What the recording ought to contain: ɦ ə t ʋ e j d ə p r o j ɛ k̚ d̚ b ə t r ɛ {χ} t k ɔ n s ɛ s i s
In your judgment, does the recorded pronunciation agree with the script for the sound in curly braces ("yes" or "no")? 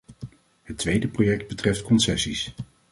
no